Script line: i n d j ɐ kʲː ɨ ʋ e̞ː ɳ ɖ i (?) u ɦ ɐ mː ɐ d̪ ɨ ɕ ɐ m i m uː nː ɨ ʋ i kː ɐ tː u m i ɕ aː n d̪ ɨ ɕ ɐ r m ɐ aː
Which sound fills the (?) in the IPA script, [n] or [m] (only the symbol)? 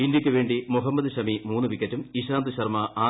m